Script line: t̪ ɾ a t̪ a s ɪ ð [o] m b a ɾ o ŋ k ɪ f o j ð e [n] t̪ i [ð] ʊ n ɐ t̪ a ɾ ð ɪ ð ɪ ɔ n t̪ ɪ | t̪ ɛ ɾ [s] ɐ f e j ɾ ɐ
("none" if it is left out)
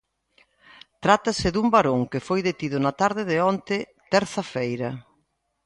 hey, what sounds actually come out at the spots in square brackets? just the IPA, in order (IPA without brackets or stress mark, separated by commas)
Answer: u, none, ð, θ